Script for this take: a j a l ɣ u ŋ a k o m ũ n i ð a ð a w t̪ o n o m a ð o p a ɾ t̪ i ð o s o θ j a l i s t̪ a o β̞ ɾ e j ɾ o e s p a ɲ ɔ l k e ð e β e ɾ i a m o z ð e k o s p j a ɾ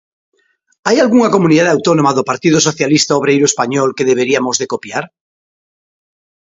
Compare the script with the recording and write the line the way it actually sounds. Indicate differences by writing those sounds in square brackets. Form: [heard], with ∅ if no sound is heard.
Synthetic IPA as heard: a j a l ɣ u ŋ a k o m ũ n i ð a ð a w t̪ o n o m a ð o p a ɾ t̪ i ð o s o θ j a l i s t̪ a o β̞ ɾ e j ɾ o e s p a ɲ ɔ l k e ð e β e ɾ i a m o z ð e k o [∅] p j a ɾ

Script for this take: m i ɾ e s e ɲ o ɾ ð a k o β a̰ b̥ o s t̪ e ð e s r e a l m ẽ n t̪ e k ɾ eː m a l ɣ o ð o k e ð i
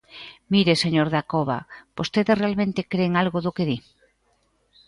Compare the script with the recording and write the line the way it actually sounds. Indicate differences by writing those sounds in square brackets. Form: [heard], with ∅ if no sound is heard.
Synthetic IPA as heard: m i ɾ e s e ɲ o ɾ ð a k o β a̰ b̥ o s t̪ e ð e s r e a l m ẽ n t̪ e k ɾ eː [ŋ] a l ɣ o ð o k e ð i

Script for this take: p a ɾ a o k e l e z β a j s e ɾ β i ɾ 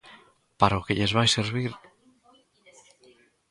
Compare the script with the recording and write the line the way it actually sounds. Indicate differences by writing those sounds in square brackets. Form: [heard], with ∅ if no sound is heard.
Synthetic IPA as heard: p a ɾ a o k e [ʎ] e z β a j s e ɾ β i ɾ

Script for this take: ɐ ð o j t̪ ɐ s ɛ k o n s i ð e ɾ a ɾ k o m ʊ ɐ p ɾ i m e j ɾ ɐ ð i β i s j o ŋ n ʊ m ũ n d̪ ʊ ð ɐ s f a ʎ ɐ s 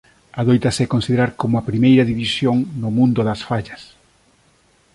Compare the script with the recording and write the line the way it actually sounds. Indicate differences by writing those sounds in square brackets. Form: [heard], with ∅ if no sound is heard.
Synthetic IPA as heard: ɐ ð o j t̪ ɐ s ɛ k o n s i ð e ɾ a ɾ k o m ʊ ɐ p ɾ i m e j ɾ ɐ ð i β i s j o ŋ n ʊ m ũ n d̪ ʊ ð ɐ s f a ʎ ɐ s

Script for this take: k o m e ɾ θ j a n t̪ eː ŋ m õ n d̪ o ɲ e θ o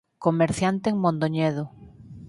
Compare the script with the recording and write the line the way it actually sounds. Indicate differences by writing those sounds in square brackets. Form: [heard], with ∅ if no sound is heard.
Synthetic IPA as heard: k o m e ɾ θ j a n t̪ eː ŋ m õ n d̪ o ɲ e [ð] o

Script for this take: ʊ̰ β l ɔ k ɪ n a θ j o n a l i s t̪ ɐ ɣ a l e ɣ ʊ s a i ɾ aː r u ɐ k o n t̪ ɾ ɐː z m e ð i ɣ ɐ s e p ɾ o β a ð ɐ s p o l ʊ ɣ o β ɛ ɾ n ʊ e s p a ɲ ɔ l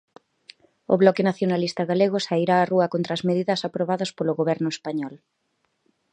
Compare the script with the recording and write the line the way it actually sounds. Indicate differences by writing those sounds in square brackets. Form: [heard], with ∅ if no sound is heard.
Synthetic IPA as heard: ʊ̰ β l ɔ k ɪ n a θ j o n a l i s t̪ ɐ ɣ a l e ɣ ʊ s a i ɾ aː r u ɐ k o n t̪ ɾ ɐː z m e ð i [ð] ɐ s [a] p ɾ o β a ð ɐ s p o l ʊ ɣ o β ɛ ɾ n ʊ e s p a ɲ ɔ l

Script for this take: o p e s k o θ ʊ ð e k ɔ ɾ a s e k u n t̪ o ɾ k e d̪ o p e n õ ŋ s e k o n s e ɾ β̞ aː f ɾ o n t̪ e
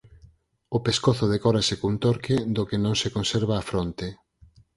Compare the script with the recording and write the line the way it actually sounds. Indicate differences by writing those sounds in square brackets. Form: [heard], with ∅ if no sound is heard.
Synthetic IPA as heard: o p e s k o θ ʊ ð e k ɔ ɾ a s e k u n t̪ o ɾ k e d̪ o [k] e n õ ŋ s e k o n s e ɾ β̞ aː f ɾ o n t̪ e

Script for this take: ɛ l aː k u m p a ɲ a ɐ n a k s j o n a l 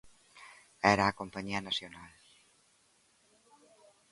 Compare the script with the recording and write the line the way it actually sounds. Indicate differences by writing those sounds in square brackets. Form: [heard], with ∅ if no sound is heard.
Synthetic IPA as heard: ɛ [ɾ] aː k [o] m p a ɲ [i] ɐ n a [∅] s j o n a l

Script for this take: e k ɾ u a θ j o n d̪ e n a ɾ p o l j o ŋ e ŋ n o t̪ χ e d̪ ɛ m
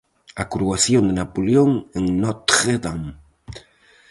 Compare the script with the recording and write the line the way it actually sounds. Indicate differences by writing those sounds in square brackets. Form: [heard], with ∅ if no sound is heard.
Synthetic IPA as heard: [a] k ɾ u a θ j o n d̪ e n a [∅] p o l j o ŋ e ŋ n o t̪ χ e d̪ [a] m

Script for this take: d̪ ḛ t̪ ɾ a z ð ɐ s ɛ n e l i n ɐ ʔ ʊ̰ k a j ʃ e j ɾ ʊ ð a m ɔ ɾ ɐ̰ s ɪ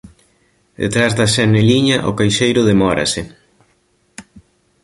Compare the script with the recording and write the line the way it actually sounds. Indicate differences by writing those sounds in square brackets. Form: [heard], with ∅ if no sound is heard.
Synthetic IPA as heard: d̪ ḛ t̪ ɾ a z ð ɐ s ɛ n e l i [ɲ] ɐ ʔ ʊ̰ k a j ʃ e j ɾ ʊ ð [e] m ɔ ɾ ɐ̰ s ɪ

